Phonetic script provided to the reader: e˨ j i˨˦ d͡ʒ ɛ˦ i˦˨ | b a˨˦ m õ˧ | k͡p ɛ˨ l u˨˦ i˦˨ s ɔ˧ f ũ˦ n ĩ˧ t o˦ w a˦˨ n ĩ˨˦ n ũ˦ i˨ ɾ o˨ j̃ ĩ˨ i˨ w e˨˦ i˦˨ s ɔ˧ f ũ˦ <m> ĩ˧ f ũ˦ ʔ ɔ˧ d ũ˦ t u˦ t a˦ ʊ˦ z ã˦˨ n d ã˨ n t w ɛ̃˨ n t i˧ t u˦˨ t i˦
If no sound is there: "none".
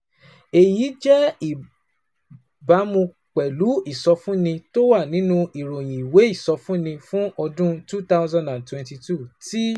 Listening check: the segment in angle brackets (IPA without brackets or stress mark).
n